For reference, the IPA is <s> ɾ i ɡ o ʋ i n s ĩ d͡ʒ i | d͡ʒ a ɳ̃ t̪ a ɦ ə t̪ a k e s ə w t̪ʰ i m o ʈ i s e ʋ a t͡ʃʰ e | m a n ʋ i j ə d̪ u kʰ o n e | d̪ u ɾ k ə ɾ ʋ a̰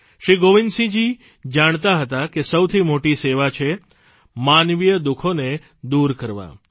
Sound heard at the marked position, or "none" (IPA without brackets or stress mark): ʃ